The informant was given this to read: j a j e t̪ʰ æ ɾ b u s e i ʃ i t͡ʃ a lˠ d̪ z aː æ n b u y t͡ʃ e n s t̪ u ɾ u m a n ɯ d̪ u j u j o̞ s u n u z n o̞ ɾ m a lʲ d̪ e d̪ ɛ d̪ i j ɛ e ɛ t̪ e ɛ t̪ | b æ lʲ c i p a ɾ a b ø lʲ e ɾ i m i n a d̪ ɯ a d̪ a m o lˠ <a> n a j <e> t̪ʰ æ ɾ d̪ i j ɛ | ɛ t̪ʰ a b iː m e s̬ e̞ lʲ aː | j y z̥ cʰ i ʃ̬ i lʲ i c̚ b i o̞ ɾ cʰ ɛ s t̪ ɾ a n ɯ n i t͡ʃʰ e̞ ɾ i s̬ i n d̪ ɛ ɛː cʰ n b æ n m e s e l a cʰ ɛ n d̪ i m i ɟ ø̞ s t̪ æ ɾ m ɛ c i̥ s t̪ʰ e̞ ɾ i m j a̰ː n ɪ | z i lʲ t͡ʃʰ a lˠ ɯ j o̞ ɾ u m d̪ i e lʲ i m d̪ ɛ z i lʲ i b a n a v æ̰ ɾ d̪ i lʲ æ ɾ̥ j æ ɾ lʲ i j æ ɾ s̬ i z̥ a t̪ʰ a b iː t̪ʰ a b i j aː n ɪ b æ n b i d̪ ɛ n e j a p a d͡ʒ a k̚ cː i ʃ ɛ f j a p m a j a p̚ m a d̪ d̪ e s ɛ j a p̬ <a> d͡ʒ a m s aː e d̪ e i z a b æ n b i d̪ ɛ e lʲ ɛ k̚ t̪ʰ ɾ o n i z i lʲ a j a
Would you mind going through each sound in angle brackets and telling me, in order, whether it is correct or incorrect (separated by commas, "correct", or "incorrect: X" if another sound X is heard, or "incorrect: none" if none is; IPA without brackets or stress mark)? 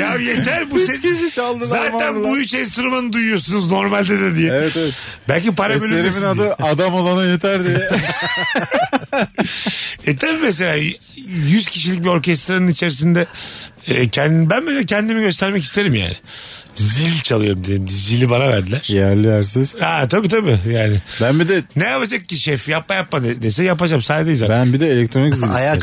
correct, correct, correct